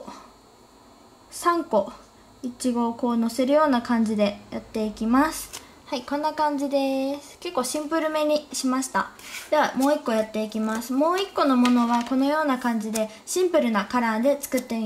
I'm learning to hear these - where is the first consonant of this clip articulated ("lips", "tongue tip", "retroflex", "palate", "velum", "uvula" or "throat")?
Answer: tongue tip